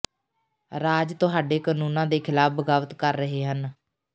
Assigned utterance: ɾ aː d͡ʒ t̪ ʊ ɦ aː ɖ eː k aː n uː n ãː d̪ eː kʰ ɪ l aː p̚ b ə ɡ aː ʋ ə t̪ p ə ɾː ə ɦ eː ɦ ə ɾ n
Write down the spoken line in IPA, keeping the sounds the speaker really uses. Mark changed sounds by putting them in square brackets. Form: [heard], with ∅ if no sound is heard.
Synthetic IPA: ɾ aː d͡ʒ t̪ ʊ ɦ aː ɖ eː k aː n uː n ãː d̪ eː kʰ ɪ l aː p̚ b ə ɡ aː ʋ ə t̪ [k] ə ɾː ə ɦ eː ɦ ə [∅] n